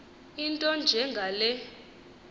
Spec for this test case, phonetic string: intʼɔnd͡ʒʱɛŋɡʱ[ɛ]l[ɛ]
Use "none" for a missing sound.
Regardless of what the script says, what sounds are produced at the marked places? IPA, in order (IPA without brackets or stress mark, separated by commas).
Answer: a, ɛ